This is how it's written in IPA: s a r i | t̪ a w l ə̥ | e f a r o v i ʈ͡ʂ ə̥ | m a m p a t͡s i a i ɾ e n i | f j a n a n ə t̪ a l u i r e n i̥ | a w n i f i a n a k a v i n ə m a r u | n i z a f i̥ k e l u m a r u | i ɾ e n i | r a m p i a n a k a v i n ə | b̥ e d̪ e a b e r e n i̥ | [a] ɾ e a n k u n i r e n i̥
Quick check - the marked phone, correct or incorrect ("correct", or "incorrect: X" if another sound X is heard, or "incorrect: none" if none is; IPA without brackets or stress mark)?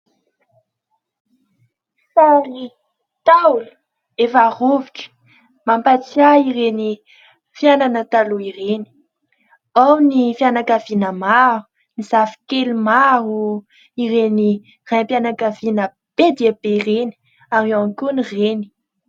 correct